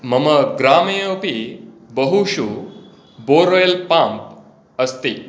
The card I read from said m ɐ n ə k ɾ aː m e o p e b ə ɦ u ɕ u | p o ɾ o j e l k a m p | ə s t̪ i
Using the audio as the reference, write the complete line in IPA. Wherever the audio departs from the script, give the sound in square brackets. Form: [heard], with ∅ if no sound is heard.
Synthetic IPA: m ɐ [m] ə [ɡ] ɾ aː m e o p [i] b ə ɦ u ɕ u | [b] o ɾ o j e l [p] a m p | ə s t̪ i